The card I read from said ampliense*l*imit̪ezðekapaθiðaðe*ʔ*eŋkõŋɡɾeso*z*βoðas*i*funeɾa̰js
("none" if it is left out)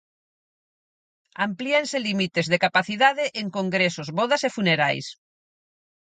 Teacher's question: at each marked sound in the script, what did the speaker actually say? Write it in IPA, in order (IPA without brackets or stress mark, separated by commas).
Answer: l, ʔ, z, e